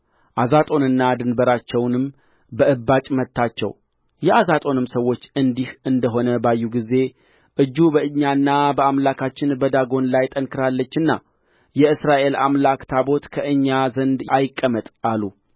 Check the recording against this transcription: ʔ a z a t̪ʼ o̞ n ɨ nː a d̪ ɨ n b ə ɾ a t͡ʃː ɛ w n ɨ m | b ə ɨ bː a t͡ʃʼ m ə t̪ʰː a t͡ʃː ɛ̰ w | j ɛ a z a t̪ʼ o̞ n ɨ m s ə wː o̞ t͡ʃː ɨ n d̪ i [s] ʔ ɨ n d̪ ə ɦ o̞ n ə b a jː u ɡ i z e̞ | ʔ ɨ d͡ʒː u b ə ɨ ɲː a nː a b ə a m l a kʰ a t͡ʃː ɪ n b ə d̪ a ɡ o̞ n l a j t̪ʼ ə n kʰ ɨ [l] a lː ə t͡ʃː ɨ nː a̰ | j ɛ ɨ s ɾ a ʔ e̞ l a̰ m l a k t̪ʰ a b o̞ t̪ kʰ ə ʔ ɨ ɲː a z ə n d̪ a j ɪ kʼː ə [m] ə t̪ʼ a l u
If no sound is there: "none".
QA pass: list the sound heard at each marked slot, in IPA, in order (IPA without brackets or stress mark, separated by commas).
h, ɾ, m